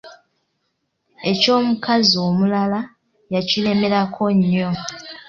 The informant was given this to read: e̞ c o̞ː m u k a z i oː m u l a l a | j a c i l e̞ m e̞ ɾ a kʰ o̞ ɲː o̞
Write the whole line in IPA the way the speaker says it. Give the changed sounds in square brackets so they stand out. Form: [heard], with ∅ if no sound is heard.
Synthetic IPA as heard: e̞ c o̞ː m u k a z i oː m u l a l a | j a c i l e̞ m e̞ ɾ a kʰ o̞ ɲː o̞